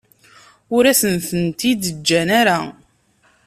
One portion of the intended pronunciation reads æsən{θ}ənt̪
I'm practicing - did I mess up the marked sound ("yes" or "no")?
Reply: no